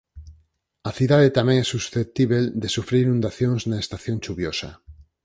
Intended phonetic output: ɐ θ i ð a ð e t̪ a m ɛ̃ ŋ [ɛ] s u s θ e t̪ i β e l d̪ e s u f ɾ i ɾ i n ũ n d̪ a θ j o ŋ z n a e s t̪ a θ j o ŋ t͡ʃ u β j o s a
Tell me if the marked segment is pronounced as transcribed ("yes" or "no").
yes